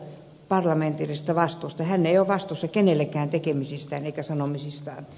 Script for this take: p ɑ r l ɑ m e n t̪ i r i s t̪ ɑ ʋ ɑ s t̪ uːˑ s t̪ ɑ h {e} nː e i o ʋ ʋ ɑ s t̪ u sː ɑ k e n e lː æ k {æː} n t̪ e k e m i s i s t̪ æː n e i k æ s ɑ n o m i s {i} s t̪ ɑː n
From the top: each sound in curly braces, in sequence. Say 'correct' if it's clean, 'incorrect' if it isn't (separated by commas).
incorrect, correct, correct